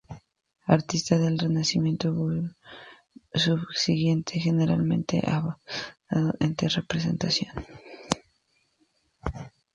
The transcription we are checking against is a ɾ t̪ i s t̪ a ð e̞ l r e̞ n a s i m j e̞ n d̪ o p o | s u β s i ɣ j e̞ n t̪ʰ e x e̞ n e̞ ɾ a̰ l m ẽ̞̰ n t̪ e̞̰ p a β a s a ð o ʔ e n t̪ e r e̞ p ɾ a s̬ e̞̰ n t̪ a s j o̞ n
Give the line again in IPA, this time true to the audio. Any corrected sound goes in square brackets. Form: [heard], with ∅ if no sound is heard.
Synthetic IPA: a ɾ t̪ i s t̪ a ð e̞ l r e̞ n a s i m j e̞ n [t̪] o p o | s u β s i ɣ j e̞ n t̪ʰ e x e̞ n e̞ ɾ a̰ l m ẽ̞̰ n t̪ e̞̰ [ʔ] a β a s a ð o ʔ e n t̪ e r e̞ p ɾ [e] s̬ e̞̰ n t̪ a s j o̞ n